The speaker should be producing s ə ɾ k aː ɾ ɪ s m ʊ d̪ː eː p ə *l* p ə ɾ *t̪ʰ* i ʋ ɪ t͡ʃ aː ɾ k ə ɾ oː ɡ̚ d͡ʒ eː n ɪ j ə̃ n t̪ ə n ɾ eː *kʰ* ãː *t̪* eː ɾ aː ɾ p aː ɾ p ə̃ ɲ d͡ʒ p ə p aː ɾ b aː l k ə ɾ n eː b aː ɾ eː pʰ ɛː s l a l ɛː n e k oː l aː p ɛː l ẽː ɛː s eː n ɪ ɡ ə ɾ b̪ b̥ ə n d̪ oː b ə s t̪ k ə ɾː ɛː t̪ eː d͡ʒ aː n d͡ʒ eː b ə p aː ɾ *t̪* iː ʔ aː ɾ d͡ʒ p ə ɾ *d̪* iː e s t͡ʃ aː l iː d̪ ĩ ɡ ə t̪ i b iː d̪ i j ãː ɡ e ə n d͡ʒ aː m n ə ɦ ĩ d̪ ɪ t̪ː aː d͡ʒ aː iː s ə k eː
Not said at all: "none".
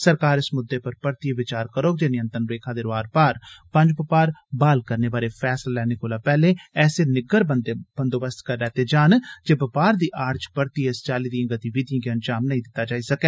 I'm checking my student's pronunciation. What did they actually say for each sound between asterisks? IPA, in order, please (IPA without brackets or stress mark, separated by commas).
ɾ, t̪, kʰ, d̪, d̪, t̪